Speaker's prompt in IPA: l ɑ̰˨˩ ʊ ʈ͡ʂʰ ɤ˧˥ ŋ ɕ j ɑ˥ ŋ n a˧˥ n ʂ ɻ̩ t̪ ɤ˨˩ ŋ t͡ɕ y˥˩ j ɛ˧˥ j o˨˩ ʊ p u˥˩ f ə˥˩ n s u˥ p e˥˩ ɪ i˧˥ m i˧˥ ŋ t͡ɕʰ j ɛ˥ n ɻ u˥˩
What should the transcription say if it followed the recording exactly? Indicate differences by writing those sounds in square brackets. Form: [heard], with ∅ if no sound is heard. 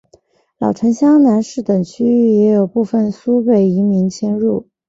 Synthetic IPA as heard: l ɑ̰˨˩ ʊ ʈ͡ʂʰ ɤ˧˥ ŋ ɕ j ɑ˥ ŋ n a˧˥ n ʂ ɻ̩ t̪ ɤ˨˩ ŋ [t͡ɕʰ] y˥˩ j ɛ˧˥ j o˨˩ ʊ p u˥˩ f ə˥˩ n s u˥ p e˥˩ ɪ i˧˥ m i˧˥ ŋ t͡ɕʰ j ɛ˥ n ɻ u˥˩